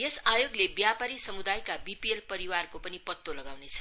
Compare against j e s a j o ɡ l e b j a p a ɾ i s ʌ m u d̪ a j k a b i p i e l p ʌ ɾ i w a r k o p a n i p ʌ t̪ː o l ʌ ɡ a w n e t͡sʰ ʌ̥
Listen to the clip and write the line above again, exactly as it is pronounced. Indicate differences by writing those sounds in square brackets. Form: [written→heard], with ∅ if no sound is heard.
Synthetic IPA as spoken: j e s a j o ɡ l e b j a p a ɾ i s ʌ m u d̪ a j k a b i p i e l p ʌ ɾ i w a r k o p [a→ʌ] n i p ʌ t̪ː o l ʌ ɡ a w n e t͡sʰ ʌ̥